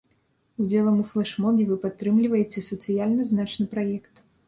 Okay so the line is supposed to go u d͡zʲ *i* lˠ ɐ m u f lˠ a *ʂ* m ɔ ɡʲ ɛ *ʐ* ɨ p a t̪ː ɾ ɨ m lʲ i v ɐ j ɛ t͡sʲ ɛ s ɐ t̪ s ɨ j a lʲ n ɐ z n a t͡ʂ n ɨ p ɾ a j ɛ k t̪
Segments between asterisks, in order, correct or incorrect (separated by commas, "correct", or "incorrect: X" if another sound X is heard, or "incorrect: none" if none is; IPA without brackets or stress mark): incorrect: ɛ, correct, incorrect: v